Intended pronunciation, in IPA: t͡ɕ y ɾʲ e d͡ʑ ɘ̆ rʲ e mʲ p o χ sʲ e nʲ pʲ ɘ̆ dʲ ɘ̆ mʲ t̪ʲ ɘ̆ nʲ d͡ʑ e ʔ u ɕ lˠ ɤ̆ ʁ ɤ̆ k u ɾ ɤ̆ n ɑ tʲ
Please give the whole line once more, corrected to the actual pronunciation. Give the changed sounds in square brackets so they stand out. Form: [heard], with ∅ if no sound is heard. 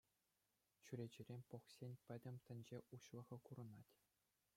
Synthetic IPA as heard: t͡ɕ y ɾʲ e d͡ʑ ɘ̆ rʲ e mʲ p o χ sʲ e nʲ pʲ ɘ̆ dʲ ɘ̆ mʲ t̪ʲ ɘ̆ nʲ d͡ʑ e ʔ u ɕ lˠ ɤ̆ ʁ ɤ̆ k u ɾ ɤ̆ n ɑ tʲ